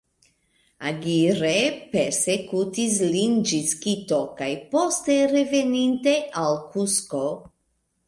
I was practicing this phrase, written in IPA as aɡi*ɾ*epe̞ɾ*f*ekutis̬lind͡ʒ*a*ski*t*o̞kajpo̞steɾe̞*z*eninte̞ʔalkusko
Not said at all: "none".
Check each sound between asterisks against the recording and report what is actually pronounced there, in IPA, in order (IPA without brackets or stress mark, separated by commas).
ɾ, s, i, t, v